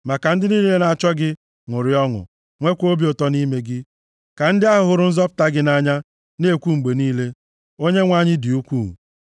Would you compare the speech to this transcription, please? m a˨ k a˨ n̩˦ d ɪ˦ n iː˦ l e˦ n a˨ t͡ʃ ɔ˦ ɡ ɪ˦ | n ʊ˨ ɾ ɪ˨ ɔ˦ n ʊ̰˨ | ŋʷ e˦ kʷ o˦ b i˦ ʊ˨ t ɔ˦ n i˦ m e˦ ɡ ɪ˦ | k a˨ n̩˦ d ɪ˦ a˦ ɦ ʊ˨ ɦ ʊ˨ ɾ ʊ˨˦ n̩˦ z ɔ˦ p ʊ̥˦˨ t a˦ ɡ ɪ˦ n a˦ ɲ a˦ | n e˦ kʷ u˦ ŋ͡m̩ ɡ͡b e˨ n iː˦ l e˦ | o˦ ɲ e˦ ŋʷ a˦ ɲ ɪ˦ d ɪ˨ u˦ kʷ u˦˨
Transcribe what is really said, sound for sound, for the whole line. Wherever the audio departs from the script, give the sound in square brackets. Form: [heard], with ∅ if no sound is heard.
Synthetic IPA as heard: m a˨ k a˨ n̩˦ d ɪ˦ n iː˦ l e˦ n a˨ t͡ʃ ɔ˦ ɡ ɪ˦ | [ŋ] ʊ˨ ɾ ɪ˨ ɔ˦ [ŋ] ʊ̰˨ | ŋʷ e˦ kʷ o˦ b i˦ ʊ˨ t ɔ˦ n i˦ m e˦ ɡ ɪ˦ | k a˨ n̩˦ d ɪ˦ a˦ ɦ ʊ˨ ɦ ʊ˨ ɾ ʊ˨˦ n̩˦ z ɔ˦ p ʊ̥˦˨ t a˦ ɡ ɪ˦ n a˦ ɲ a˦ | n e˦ kʷ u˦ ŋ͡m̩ ɡ͡b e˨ n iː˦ l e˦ | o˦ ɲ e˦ ŋʷ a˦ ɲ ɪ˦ d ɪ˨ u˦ kʷ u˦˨

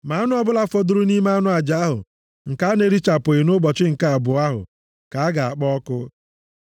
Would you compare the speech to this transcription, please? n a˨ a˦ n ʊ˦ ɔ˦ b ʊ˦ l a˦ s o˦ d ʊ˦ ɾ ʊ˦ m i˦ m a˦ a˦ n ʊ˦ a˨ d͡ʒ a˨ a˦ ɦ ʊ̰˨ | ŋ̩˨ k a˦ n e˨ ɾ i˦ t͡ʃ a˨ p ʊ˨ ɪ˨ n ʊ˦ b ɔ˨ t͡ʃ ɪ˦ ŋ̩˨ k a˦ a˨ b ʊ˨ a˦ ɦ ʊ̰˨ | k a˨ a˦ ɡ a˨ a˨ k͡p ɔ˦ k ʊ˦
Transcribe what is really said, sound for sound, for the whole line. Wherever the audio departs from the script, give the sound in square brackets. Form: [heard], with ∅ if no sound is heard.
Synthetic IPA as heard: [m] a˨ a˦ n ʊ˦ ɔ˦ b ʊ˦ l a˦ [f] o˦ d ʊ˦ ɾ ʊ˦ [n] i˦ m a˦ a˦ n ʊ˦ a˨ d͡ʒ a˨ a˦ ɦ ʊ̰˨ | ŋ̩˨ k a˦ n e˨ ɾ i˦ t͡ʃ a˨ p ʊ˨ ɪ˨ n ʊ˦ b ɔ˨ t͡ʃ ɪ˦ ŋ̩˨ k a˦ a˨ b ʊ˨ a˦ ɦ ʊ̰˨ | k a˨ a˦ ɡ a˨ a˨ k͡p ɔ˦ k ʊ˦

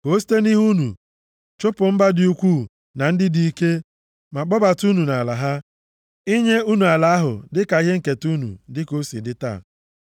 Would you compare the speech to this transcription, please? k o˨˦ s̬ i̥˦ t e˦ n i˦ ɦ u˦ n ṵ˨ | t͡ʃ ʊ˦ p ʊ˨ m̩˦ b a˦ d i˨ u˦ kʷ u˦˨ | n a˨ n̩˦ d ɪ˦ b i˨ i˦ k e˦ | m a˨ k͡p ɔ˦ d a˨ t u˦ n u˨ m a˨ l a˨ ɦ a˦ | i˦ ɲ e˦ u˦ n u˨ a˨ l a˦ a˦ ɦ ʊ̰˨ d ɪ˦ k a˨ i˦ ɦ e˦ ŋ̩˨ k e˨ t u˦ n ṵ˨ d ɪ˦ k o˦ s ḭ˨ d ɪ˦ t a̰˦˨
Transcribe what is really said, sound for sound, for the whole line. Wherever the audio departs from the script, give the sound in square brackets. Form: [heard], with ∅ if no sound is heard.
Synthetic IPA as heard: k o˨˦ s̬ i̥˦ t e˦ n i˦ ɦ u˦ n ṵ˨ | t͡ʃ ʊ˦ p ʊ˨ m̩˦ b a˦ d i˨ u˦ kʷ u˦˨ | n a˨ n̩˦ d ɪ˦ [d] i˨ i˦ k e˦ | m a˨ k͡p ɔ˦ [b] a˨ t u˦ n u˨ [n] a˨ l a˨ ɦ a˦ | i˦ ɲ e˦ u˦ n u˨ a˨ l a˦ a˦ ɦ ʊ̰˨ d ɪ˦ k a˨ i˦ ɦ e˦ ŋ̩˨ k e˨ t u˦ n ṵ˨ d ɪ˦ k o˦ s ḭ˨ d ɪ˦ t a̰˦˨

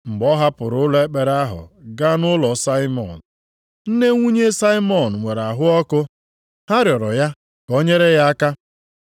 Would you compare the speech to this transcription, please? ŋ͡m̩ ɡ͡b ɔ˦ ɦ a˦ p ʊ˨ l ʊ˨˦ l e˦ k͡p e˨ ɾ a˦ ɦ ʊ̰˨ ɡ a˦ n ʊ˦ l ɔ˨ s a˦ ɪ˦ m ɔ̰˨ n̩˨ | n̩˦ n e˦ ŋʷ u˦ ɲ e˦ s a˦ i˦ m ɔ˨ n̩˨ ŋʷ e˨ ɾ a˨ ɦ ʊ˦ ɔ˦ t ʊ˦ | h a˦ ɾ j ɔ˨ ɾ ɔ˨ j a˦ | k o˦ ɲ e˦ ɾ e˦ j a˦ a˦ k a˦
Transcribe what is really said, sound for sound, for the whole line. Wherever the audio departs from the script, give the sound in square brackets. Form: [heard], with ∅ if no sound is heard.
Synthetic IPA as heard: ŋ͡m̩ ɡ͡b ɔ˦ ɦ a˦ p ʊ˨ [ɾ] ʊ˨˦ l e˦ k͡p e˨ ɾ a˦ ɦ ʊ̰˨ ɡ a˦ n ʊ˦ l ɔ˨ s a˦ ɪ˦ m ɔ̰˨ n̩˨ | n̩˦ n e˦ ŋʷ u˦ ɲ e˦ s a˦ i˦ m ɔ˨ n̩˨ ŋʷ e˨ ɾ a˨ ɦ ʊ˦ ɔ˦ [k] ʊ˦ | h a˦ ɾ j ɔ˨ ɾ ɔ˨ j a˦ | k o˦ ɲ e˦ ɾ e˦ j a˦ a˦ k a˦

